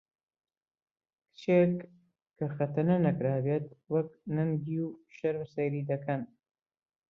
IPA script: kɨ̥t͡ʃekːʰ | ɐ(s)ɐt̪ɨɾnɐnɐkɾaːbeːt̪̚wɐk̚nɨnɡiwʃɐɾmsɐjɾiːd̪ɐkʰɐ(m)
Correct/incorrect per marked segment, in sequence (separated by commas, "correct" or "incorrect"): incorrect, incorrect